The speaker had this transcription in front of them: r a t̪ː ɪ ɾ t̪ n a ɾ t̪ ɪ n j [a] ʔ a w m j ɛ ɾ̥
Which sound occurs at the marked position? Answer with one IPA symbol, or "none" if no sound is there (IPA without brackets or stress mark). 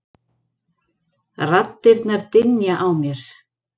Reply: a